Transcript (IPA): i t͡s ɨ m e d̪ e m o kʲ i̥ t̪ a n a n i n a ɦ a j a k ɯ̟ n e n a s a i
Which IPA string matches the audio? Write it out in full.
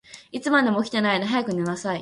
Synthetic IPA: i t͡s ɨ m a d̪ e m o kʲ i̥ t̪ e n a i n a ɦ a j a k ɯ̟ n e n a s a i